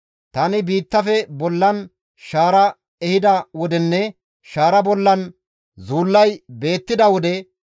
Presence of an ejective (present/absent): absent